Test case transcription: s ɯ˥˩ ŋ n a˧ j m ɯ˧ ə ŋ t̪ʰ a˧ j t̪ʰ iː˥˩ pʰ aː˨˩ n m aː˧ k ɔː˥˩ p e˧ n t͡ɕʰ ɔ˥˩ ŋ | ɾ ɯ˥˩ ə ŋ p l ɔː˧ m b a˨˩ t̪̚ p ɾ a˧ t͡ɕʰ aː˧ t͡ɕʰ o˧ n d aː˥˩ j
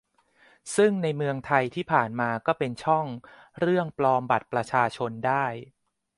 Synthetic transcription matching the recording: s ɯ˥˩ ŋ n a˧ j m ɯ˧ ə ŋ t̪ʰ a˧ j t̪ʰ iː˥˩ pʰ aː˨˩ n m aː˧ k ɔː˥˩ p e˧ n t͡ɕʰ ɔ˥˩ ŋ | ɾ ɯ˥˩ ə ŋ p l ɔː˧ m b a˨˩ t̪̚ p ɾ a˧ t͡ɕʰ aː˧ t͡ɕʰ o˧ n d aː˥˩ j